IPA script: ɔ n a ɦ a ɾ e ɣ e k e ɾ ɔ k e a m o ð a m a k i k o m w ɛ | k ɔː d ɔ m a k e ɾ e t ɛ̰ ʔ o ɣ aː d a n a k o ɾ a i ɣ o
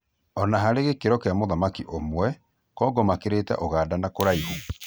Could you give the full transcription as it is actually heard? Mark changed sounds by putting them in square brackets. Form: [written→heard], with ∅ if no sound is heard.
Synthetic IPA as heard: ɔ n a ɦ a ɾ e ɣ e k e ɾ ɔ k e a m o ð a m a k i [k→ʔ] o m w ɛ | k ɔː [d→ɡ] ɔ m a k e ɾ e t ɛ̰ ʔ o ɣ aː d a n a k o ɾ a i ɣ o